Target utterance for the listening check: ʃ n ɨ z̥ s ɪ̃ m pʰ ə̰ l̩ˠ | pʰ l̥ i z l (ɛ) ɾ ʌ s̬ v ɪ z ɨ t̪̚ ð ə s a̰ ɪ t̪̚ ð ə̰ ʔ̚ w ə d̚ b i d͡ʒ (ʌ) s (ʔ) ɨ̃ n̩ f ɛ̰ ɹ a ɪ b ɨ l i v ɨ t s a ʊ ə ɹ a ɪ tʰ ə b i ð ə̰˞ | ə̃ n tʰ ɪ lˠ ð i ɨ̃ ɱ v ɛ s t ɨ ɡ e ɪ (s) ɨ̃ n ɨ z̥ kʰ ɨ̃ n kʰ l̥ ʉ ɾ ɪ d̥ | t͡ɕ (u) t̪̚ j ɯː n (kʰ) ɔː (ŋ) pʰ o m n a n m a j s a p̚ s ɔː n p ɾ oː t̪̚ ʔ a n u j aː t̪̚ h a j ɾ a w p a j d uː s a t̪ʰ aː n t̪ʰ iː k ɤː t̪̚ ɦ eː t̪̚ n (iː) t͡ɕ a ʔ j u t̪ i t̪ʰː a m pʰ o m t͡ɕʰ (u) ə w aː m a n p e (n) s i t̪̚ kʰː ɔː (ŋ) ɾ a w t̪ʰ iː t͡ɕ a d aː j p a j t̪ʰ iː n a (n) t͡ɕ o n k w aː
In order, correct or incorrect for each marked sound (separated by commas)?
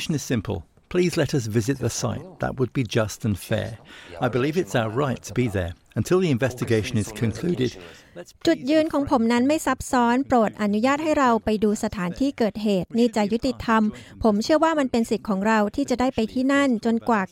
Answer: correct, correct, incorrect, incorrect, correct, correct, correct, correct, incorrect, correct, correct, correct